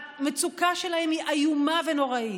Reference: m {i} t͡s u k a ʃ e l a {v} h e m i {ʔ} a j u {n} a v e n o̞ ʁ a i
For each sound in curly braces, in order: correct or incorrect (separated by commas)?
incorrect, incorrect, correct, incorrect